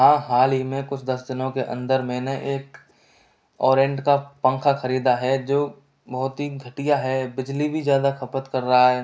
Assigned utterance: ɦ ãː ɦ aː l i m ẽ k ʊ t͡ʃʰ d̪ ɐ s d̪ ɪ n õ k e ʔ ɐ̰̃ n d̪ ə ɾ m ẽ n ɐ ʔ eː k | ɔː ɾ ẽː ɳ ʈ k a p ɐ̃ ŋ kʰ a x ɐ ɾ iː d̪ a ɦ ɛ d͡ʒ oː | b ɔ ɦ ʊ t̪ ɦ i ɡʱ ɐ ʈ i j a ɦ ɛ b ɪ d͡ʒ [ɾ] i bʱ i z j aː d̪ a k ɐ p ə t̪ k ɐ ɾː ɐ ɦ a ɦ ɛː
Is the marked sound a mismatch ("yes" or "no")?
yes